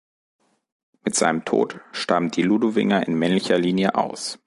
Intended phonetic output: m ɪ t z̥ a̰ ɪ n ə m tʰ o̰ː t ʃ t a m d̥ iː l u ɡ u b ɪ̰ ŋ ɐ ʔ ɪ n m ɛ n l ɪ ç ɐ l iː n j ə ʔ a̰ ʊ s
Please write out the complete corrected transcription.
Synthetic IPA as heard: m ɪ t z̥ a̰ ɪ n ə m tʰ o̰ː t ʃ t a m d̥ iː l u d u v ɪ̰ ŋ ɐ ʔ ɪ n m ɛ n l ɪ ç ɐ l iː n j ə ʔ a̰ ʊ s